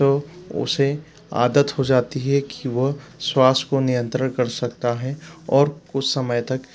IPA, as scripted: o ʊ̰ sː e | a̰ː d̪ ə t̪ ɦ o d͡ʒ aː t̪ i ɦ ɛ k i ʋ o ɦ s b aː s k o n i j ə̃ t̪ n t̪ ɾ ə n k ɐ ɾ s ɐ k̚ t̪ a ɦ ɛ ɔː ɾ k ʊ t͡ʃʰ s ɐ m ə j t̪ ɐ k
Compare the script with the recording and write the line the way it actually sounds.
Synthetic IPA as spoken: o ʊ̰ s e | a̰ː d̪ ə t̪ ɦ o d͡ʒ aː t̪ i ɦ ɛ k i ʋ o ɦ s w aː s k o n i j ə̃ n t̪ ɾ ə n k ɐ ɾ s ɐ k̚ t̪ a ɦ ɛ ɔː ɾ k ʊ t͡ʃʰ s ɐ m ə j t̪ ɐ k